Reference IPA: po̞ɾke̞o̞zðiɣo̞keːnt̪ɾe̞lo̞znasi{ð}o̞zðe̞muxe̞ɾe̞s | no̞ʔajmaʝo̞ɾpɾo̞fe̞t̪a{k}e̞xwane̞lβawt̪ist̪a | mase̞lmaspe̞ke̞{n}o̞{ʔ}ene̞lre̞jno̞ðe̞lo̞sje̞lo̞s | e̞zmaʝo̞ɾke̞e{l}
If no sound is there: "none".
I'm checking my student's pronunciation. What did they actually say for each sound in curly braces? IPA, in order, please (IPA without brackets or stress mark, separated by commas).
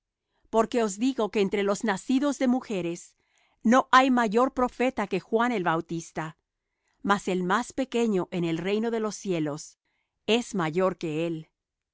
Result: ð, k, ɲ, ʔ, l